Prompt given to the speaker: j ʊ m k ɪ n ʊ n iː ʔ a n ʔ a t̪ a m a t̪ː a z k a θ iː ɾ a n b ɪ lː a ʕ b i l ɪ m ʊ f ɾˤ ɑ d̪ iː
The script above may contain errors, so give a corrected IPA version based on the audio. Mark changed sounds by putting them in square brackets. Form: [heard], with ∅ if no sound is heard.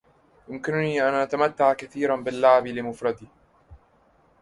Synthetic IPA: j ʊ m k ɪ n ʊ n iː ʔ a n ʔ a t̪ a m a t̪ː a [ʕ] k a θ iː ɾ a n b ɪ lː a ʕ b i l ɪ m ʊ f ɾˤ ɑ d̪ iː